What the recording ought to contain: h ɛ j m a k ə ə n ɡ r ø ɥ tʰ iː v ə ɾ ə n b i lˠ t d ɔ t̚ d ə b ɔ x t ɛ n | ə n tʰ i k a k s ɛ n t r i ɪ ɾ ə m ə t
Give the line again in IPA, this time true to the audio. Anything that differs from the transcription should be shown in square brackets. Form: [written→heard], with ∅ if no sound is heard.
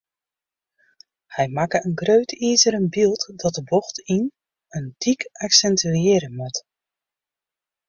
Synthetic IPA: h ɛ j m a k ə ə n ɡ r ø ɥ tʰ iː [v→z] ə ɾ ə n b i lˠ t d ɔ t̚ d ə b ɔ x t [ɛ→i] n | ə n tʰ i k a k s ɛ n t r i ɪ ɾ ə m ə t